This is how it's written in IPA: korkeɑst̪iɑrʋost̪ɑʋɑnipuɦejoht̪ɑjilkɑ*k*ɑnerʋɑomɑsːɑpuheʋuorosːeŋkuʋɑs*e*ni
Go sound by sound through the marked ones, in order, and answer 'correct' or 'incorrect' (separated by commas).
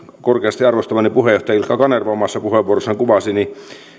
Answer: correct, incorrect